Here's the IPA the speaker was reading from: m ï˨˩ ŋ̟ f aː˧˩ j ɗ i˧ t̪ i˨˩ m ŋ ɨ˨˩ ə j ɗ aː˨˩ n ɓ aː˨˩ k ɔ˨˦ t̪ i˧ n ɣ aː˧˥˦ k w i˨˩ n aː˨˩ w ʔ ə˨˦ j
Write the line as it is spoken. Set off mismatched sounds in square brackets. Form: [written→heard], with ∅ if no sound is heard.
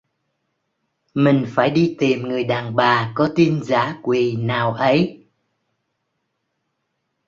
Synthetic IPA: m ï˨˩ ŋ̟ f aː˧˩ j ɗ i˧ t̪ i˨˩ m ŋ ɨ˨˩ ə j ɗ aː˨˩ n ɓ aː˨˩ k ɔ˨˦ t̪ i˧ n [ɣ→z] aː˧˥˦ k w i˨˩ n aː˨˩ w ʔ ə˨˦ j